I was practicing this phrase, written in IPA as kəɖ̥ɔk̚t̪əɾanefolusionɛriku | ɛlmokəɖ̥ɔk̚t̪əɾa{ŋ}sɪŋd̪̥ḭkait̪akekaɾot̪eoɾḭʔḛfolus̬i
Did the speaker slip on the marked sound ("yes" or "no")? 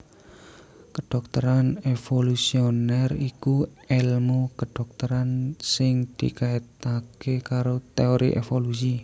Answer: yes